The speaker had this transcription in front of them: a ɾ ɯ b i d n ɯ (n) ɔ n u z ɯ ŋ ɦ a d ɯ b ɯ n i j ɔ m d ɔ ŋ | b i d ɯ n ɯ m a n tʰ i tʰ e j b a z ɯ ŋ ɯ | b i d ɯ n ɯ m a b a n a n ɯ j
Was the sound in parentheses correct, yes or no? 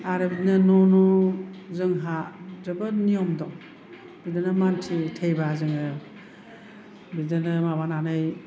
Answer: yes